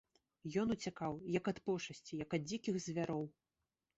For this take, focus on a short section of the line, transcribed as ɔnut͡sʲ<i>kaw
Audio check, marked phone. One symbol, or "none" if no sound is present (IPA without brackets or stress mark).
a